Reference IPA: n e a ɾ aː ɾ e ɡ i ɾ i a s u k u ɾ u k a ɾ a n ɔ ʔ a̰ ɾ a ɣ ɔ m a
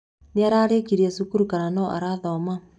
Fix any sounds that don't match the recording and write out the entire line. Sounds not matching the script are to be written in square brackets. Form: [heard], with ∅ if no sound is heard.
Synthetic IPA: n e a ɾ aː ɾ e [k] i ɾ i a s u k u ɾ u k a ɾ a n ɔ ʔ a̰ ɾ a [ð] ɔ m a